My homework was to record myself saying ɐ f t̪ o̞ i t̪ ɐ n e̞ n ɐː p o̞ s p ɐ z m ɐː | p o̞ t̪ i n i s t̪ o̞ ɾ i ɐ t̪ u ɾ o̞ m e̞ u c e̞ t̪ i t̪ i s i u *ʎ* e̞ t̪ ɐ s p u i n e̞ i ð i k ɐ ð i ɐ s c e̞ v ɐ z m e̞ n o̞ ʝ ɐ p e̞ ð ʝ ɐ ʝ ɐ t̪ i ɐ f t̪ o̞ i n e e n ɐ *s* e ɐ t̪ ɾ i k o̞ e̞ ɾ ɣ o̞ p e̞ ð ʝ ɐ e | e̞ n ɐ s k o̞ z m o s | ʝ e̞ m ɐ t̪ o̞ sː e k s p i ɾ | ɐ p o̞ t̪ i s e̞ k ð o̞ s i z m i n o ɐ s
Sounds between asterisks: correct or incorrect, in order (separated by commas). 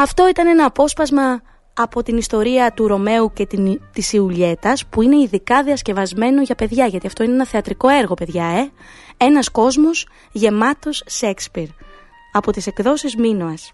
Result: correct, incorrect